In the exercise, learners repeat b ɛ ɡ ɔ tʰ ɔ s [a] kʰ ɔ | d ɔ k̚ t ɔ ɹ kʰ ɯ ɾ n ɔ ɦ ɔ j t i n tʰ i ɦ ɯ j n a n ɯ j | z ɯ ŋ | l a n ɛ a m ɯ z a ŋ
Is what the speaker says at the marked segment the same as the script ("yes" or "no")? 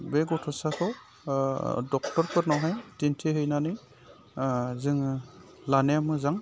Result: yes